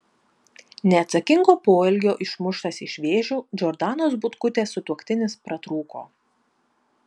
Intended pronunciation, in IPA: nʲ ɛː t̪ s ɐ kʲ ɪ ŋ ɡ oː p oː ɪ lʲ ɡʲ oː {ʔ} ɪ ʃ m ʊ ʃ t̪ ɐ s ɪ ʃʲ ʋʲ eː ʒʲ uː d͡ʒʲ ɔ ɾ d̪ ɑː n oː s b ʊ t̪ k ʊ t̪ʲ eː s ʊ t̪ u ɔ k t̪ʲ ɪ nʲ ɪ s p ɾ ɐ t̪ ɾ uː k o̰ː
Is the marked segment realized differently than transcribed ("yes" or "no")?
no